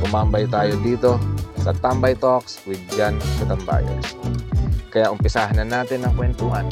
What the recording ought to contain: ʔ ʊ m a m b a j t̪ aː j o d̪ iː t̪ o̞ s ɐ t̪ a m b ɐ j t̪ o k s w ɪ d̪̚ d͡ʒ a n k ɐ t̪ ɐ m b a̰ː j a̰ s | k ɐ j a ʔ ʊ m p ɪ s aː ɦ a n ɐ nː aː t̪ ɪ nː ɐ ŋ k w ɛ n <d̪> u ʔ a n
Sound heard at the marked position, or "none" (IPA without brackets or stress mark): t̪